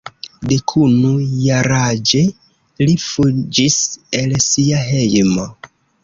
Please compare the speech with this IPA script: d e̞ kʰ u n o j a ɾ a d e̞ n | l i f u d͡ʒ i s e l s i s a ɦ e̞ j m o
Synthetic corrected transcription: d e̞ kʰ u n u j a ɾ a d͡ʒ e̞ | l i f u d͡ʒ i s e l s i a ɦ e̞ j m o